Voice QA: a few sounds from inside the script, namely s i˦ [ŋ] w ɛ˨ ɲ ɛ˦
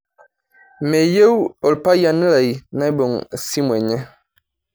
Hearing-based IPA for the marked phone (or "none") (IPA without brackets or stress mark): m